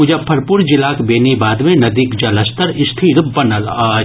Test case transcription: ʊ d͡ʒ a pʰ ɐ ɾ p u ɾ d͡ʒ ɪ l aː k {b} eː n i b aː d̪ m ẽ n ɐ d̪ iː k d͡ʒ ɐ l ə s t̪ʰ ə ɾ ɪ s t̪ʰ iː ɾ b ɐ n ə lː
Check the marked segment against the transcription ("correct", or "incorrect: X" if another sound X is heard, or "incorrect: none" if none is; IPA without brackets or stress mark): correct